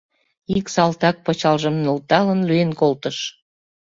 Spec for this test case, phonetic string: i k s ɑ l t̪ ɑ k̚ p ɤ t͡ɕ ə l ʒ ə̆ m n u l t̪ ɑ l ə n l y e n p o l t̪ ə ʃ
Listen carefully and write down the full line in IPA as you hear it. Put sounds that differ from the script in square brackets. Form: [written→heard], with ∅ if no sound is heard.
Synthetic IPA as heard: i k s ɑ l t̪ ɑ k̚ p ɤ t͡ɕ [ə→ɑ] l ʒ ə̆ m n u l t̪ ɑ l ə n l y e n [p→k] o l t̪ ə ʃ